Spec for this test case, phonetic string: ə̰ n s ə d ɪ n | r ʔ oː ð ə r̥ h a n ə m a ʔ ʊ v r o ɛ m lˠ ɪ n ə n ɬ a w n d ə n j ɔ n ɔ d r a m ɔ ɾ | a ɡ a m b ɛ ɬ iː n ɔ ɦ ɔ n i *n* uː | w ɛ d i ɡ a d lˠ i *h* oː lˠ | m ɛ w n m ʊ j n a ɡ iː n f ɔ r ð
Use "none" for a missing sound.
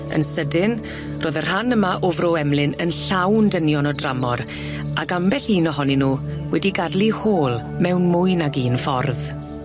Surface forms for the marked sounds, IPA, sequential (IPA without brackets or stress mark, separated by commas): n, h